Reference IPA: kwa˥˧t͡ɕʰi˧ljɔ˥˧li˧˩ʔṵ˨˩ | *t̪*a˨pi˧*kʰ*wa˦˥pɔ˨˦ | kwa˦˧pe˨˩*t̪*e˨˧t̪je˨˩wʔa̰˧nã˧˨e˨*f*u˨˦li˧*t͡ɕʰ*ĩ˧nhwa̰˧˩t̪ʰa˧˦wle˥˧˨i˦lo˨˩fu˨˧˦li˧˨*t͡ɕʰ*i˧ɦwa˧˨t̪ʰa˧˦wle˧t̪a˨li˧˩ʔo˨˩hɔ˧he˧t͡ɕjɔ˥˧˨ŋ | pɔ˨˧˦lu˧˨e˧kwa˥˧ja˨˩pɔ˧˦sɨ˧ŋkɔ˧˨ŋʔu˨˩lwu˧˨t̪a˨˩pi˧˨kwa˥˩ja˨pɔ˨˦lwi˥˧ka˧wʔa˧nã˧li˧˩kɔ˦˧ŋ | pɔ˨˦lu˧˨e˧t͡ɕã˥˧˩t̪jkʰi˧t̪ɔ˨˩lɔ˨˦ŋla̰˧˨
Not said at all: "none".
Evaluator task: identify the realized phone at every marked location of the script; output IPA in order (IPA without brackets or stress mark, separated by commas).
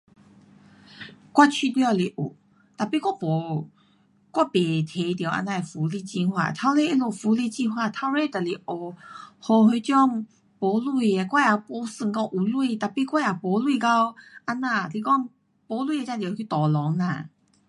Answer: t̪, k, t̪ʰ, f, t͡ɕ, t͡ɕ